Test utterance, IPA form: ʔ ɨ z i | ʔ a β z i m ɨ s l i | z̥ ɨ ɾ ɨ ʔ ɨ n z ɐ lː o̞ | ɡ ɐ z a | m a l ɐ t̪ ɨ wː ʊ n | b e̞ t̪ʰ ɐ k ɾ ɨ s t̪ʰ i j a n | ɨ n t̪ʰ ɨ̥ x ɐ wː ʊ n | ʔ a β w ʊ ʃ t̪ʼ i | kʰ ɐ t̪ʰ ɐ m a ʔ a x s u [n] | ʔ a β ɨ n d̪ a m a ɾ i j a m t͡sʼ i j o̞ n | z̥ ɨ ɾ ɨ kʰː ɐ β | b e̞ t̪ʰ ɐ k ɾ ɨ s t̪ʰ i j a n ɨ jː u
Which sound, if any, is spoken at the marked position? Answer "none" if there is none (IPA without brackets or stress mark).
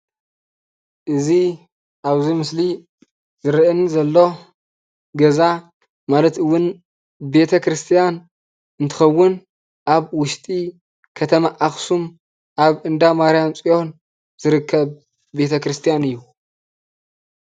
m